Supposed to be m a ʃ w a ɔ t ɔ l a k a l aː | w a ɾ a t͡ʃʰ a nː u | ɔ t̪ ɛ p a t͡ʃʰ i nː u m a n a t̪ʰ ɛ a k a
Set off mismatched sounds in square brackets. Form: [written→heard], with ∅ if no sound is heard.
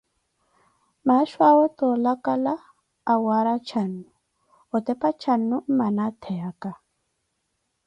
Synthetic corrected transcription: m a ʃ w a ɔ t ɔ l a k a l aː | w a ɾ a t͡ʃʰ a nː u | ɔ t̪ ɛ p a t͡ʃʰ [i→a] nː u m a n a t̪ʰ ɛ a k a